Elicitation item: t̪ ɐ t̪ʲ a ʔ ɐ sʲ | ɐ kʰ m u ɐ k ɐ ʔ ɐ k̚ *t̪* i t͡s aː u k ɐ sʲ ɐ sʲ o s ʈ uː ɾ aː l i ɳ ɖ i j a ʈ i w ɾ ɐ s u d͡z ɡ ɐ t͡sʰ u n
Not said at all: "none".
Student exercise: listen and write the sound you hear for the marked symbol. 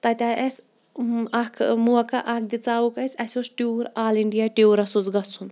d̪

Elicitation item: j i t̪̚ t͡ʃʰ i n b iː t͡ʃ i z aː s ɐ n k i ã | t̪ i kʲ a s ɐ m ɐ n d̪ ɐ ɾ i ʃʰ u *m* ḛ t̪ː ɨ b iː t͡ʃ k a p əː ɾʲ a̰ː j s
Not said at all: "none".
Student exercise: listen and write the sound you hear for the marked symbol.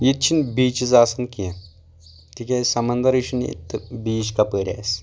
n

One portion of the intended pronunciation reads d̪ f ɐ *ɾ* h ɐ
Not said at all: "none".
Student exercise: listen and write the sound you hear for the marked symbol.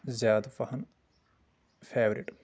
none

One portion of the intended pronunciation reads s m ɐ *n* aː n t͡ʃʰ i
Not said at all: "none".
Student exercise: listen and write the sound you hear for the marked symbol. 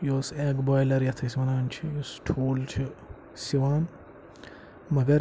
n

